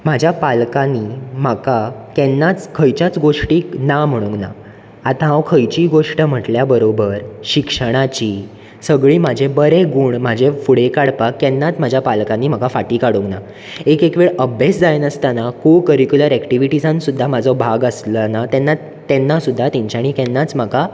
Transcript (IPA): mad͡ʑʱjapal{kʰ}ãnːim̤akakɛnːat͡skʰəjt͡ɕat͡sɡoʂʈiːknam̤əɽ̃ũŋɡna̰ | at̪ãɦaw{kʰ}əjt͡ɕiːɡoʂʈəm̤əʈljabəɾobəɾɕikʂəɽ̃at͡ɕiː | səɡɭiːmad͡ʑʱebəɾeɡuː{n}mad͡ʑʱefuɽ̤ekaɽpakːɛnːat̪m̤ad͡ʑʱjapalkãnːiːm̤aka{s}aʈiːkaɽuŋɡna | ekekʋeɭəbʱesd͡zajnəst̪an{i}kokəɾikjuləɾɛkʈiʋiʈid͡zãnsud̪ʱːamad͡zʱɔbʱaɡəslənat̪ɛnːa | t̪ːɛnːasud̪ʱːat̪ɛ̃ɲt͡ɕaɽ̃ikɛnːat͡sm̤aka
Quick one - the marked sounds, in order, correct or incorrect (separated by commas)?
incorrect, correct, incorrect, incorrect, incorrect